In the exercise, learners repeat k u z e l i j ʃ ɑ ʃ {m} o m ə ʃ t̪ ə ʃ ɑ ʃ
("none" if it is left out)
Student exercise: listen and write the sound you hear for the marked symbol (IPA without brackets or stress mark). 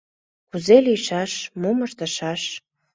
m